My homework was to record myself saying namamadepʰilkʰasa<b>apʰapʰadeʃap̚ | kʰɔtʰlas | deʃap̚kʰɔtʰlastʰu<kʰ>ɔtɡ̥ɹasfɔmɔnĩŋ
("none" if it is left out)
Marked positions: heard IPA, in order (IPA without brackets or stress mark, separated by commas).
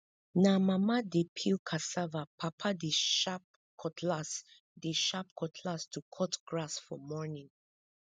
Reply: v, kʰ